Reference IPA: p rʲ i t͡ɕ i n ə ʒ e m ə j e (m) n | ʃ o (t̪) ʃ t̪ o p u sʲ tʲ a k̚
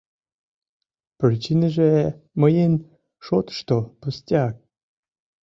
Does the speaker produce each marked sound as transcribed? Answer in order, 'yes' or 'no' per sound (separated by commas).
no, yes